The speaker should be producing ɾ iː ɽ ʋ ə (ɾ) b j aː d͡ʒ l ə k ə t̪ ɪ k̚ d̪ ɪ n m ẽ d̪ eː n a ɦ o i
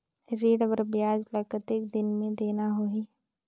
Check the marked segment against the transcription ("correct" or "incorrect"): correct